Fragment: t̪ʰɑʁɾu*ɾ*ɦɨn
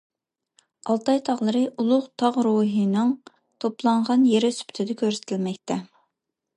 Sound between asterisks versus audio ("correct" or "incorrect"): incorrect